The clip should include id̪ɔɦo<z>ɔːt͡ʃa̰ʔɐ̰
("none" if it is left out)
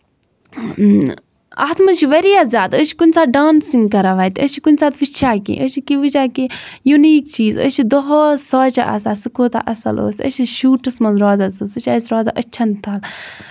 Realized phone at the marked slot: s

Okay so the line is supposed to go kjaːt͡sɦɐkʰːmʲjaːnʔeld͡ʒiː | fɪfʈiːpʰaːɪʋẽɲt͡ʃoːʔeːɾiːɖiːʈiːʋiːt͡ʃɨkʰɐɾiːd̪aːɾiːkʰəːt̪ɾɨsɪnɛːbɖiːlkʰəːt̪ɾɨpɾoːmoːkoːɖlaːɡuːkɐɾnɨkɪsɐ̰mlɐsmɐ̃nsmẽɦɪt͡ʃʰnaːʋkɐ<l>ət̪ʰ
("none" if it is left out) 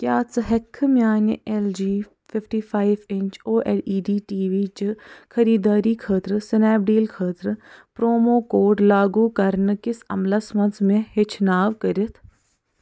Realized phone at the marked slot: ɾ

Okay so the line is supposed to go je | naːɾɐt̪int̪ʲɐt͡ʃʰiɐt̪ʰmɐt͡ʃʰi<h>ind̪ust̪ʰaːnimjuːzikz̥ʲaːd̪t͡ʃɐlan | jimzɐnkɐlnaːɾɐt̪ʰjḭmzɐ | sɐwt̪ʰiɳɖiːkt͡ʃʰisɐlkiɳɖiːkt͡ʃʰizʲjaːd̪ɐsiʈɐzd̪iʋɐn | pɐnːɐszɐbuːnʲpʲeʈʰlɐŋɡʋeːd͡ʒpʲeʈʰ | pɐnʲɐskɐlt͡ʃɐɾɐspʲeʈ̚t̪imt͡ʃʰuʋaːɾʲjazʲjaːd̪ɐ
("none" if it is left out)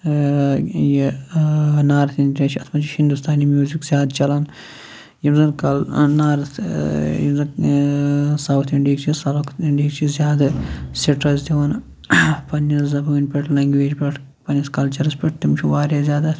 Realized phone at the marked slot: h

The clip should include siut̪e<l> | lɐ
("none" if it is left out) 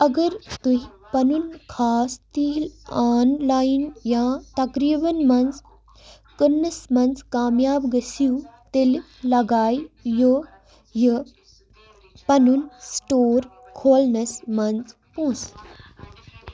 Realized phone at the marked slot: l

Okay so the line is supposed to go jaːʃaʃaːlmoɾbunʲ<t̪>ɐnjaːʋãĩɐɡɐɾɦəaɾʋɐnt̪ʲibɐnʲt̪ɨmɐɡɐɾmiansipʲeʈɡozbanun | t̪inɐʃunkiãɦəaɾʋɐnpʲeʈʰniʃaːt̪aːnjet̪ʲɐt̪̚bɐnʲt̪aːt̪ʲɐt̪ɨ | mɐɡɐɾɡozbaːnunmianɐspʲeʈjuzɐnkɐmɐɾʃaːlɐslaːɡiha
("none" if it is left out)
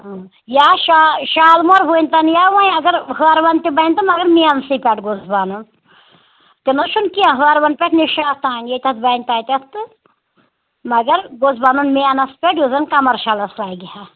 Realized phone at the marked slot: t̪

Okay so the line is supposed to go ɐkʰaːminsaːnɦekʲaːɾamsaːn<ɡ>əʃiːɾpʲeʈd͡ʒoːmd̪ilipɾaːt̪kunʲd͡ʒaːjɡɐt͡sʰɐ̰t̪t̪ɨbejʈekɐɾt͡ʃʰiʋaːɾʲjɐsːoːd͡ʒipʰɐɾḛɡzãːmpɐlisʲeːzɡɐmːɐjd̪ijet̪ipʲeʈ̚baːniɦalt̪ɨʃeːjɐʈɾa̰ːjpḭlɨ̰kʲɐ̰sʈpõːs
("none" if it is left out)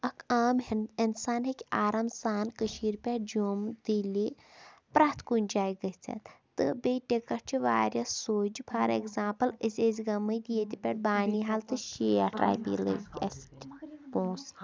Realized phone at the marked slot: k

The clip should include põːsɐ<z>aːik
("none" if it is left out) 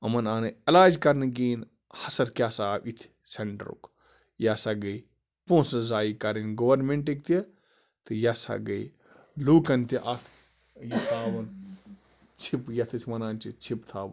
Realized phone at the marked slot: z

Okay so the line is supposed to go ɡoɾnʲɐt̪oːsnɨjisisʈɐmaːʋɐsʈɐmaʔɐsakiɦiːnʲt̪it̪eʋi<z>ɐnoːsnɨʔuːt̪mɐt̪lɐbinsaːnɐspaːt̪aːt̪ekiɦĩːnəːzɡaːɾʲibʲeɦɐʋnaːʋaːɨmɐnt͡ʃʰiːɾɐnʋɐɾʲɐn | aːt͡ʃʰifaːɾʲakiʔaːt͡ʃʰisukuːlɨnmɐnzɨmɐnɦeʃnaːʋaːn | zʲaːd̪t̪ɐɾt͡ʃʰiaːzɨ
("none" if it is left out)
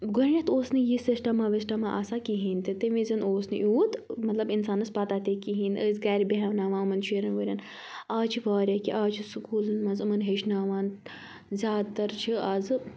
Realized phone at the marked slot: z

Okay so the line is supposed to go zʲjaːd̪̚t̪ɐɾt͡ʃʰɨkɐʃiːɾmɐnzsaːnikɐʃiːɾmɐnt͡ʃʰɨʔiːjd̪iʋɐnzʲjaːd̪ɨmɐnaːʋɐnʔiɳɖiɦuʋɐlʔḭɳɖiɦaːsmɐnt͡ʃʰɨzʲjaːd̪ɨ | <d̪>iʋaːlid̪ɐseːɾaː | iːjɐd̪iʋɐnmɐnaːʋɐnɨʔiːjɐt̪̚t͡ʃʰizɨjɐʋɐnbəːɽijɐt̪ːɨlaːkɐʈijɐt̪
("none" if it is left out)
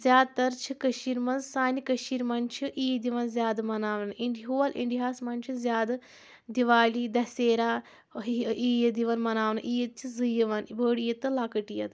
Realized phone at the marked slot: d̪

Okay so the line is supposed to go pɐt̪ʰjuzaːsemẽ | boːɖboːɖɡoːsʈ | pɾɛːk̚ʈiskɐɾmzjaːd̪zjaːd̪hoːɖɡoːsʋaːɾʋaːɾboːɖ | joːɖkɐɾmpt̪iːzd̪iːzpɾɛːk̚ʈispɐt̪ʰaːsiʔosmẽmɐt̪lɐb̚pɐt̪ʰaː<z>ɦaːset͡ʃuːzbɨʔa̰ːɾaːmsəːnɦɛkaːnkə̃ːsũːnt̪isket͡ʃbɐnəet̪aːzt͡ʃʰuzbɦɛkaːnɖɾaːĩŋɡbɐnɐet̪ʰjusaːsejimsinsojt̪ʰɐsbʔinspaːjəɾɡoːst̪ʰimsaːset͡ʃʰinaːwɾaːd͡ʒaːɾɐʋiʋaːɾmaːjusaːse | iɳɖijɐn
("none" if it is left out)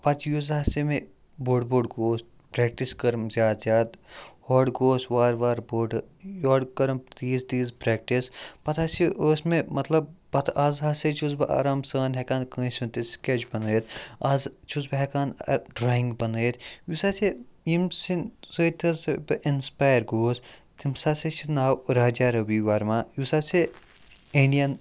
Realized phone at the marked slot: z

